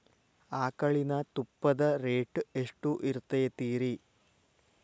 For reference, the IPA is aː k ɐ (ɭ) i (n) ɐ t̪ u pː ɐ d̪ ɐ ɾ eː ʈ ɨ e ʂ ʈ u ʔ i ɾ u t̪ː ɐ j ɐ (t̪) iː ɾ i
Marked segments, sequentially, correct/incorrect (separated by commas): correct, correct, correct